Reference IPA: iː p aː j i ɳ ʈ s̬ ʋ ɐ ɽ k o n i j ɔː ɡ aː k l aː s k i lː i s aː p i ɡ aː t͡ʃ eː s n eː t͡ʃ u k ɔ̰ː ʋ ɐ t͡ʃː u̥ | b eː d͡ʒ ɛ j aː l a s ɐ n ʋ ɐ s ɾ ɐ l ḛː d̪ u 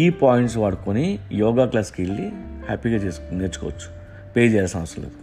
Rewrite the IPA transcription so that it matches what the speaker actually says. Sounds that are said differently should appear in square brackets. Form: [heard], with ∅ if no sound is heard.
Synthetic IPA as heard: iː p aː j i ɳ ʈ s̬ ʋ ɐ ɽ k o n i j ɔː ɡ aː k l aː s k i lː i [h] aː p i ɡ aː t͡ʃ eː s n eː t͡ʃ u k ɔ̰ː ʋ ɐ t͡ʃː u̥ | [p] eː d͡ʒ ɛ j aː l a s ɐ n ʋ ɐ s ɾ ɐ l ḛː d̪ u